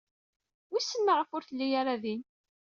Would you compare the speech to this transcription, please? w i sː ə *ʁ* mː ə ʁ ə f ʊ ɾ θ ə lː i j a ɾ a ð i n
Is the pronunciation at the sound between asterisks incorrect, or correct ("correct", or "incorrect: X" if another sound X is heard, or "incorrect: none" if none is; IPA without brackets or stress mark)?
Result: incorrect: none